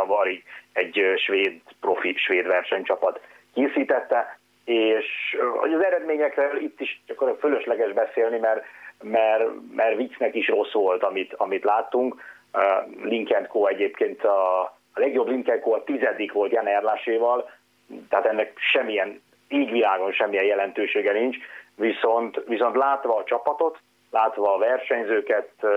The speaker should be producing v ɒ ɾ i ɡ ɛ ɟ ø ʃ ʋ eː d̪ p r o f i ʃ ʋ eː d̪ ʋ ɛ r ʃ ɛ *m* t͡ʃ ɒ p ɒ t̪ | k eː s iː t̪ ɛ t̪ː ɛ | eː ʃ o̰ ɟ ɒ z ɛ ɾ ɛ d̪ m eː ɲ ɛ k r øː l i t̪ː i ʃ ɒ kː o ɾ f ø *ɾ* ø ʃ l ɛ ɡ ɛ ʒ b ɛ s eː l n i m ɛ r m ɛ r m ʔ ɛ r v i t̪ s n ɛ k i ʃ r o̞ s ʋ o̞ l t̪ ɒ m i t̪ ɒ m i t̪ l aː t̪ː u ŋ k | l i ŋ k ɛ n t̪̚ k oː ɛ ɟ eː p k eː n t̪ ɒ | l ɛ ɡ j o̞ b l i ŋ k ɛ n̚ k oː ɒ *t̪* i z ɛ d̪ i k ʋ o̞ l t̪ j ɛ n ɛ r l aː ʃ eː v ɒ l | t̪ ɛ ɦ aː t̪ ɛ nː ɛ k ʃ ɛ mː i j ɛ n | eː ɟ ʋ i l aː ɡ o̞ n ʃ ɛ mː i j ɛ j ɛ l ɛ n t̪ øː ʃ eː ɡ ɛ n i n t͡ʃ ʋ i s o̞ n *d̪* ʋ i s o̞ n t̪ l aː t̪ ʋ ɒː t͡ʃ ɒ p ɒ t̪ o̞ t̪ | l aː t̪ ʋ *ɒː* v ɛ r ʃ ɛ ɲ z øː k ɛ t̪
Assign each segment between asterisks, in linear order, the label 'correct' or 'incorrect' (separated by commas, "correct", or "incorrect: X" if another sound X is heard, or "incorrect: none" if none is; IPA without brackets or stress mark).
incorrect: ɲ, incorrect: l, correct, incorrect: t̪, correct